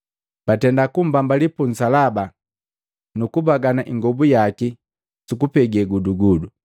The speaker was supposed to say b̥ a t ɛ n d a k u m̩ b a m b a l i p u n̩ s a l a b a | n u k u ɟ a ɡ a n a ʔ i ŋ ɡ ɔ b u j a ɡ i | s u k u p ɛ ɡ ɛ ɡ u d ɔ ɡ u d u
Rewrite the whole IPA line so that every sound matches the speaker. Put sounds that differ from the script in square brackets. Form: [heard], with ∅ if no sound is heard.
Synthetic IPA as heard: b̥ a t ɛ n d a k u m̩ b a m b a l i p u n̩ s a l a b a | n u k u [b] a ɡ a n a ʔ i ŋ ɡ ɔ b u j a [k] i | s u k u p ɛ ɡ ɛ ɡ u d [u] ɡ u d u